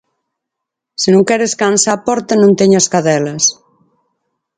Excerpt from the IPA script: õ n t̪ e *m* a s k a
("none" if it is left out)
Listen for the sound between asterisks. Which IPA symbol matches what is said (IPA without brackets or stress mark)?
ɲ